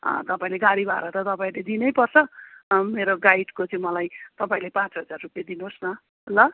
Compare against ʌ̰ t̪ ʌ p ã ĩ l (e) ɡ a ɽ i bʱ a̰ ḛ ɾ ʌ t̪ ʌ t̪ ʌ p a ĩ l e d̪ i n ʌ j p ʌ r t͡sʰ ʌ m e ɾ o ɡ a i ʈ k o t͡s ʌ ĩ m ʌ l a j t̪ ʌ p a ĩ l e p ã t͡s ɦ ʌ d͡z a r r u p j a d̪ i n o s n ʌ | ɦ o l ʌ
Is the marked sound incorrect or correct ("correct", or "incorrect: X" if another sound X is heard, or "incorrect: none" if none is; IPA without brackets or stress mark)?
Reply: correct